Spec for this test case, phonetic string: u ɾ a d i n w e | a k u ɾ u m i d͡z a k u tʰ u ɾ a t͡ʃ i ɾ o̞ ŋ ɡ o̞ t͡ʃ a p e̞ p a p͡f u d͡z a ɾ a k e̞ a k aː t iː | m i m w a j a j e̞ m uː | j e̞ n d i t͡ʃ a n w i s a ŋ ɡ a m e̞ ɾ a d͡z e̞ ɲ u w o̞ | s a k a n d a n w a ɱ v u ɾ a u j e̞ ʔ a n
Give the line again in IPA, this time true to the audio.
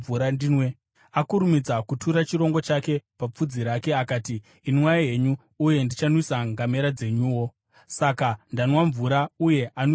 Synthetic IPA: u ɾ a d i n w e | a k u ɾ u m i d͡z a k u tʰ u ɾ a t͡ʃ i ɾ o̞ ŋ ɡ o̞ t͡ʃ a k e̞ p a p͡f u d͡z i ɾ a k e̞ a k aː t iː | n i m w a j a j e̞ ɲ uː | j e̞ n d i t͡ʃ a n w i s a ŋ ɡ a m e̞ ɾ a d͡z e̞ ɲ u w o̞ | s a k a n d a n w a ɱ v u ɾ a u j e̞ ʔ a n